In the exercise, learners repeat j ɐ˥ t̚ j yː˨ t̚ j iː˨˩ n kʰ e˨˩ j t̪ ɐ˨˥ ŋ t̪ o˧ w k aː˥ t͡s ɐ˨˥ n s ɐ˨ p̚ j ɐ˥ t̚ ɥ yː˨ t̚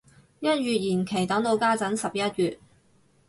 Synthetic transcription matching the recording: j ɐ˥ t̚ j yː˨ t̚ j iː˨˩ n kʰ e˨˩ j t̪ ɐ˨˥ ŋ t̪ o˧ w k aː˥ t͡s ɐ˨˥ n s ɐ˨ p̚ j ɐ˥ t̚ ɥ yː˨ t̚

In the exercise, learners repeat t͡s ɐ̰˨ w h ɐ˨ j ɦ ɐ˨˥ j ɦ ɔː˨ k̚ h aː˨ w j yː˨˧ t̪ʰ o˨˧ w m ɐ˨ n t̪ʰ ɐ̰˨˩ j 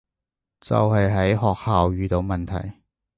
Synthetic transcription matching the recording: t͡s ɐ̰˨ w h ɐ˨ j ɦ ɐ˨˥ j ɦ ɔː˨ k̚ h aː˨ w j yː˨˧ t̪ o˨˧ w m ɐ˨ n t̪ʰ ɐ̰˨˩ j

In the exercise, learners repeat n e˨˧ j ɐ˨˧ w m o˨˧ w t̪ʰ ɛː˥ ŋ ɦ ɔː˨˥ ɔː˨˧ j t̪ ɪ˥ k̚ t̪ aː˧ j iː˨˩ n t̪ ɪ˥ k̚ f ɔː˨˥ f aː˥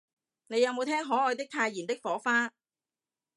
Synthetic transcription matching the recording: n e˨˧ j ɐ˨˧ w m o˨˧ w t̪ʰ ɛː˥ ŋ ɦ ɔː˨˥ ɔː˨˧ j t̪ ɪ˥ k̚ t̪ʰ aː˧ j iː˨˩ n t̪ ɪ˥ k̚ f ɔː˨˥ f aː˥

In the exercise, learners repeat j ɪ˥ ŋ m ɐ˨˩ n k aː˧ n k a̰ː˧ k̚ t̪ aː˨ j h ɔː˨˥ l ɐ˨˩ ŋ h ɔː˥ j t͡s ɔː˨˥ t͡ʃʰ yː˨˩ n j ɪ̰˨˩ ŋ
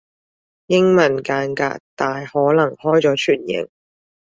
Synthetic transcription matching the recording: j ɪ˥ ŋ m ɐ˨˩ n k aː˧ n k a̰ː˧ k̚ t̪ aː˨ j h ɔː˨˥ l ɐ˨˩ ŋ h ɔː˥ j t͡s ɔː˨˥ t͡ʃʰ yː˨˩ n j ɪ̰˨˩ ŋ

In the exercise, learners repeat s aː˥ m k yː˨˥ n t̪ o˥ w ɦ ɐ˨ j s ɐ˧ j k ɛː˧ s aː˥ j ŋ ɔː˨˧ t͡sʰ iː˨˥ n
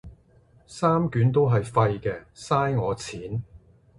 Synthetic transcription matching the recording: s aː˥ m k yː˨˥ n t̪ o˥ w ɦ ɐ˨ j f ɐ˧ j k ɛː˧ s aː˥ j ŋ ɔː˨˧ t͡sʰ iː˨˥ n

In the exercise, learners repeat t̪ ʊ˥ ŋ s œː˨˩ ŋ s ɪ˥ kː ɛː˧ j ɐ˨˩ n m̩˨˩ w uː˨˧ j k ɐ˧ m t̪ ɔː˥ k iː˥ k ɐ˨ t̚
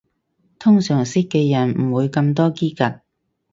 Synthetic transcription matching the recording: t̪ʰ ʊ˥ ŋ s œː˨˩ ŋ s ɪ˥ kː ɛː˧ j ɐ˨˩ n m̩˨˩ w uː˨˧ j k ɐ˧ m t̪ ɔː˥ k iː˥ k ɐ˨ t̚

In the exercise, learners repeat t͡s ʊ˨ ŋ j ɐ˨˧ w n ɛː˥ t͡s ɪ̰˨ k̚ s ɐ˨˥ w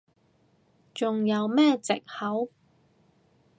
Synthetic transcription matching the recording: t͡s ʊ˨ ŋ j ɐ˨˧ w m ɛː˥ t͡s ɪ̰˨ k̚ h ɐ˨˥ w

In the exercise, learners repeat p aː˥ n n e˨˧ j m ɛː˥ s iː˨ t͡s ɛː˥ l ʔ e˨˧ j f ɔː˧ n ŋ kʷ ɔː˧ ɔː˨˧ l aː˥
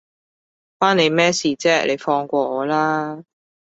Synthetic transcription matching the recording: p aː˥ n n e˨˧ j m ɛː˥ s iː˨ t͡s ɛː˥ l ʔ e˨˧ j f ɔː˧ ŋ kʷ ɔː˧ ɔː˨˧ l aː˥

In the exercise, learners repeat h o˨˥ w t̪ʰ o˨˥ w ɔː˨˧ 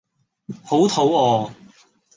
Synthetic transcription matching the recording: h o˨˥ w t̪ʰ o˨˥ w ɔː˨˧

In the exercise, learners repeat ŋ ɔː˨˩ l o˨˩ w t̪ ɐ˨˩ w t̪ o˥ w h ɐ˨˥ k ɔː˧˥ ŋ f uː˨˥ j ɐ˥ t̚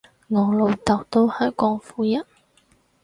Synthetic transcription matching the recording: ŋ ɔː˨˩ l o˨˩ w t̪ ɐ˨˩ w t̪ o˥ w h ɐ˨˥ k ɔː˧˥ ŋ f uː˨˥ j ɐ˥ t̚

